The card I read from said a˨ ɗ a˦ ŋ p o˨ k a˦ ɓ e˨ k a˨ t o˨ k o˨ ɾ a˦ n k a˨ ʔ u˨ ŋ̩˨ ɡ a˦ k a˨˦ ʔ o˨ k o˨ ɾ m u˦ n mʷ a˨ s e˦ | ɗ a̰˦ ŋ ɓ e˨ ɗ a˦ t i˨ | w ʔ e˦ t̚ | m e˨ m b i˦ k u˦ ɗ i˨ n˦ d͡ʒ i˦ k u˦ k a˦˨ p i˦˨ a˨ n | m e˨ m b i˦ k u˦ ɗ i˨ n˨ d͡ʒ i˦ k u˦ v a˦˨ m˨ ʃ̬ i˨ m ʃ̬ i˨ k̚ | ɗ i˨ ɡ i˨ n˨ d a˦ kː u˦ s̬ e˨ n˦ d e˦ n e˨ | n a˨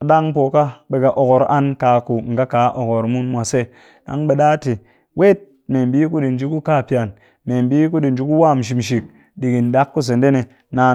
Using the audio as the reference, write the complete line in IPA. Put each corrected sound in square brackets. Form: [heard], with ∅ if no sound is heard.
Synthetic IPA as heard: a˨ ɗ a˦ ŋ p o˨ k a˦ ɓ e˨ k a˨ [ʔ] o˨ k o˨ ɾ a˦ n k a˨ [k] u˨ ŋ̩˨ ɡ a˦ k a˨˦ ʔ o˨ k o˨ ɾ m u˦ n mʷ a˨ s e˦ | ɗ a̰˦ ŋ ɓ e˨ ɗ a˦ t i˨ | w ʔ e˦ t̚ | m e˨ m b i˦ k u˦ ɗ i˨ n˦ d͡ʒ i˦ k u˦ k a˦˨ p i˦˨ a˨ n | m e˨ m b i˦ k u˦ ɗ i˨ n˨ d͡ʒ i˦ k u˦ [w] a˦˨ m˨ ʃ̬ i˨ m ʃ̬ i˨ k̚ | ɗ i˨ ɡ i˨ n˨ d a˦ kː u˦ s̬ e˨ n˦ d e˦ n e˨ | n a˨